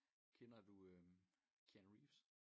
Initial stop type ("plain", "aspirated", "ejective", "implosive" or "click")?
aspirated